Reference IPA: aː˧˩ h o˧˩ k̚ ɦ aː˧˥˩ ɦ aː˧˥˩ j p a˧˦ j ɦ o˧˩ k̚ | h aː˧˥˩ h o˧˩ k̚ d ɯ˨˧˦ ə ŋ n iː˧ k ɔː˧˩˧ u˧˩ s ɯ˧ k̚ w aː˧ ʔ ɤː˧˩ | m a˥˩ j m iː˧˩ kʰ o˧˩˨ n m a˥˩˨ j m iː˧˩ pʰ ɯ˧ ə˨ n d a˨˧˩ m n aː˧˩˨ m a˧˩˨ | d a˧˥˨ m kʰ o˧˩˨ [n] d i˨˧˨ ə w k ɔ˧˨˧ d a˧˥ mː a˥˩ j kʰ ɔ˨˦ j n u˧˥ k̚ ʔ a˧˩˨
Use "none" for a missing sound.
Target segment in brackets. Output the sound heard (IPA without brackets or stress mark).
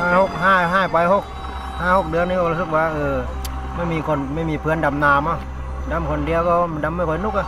n